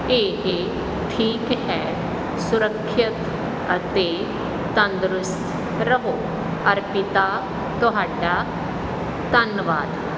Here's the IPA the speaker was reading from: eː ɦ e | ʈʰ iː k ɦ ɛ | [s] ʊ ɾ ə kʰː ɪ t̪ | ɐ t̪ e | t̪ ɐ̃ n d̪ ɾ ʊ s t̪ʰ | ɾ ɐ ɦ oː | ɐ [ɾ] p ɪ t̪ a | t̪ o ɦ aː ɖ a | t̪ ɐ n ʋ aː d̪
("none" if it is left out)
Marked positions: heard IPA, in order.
s, ɾ

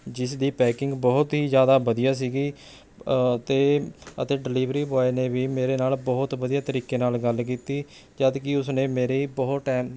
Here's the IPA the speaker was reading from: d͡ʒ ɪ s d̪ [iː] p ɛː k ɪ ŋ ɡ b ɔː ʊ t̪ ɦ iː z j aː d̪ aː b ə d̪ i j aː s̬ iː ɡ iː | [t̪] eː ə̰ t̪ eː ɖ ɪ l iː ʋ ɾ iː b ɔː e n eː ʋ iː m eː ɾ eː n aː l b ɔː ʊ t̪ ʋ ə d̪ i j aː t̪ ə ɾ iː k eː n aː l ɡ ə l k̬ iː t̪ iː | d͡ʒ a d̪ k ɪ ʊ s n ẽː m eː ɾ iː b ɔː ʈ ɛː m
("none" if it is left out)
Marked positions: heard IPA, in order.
iː, t̪

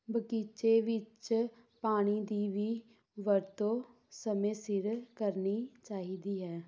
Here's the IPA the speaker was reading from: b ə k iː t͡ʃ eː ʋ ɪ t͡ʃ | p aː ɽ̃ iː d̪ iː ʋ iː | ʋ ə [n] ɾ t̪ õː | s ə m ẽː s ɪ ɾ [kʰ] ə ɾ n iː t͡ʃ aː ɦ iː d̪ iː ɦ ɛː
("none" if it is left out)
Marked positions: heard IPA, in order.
none, k

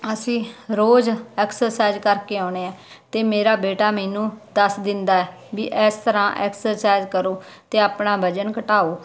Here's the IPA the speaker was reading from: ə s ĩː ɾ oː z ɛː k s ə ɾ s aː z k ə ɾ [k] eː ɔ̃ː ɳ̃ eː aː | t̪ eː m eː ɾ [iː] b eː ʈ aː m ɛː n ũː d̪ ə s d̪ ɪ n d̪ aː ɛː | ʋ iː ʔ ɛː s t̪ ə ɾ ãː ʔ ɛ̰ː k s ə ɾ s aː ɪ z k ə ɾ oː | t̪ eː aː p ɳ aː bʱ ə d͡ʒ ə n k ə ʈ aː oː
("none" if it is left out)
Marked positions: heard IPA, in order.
k, aː

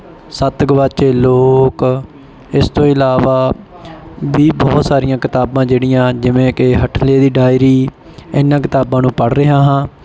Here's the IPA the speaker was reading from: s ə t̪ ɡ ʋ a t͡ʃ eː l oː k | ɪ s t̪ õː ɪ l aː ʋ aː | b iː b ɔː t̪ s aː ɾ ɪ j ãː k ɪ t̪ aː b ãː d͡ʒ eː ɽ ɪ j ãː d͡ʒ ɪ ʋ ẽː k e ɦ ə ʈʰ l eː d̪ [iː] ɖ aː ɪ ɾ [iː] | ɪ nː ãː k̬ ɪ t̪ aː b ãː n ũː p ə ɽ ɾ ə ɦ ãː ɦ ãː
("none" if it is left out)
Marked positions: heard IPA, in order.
iː, iː

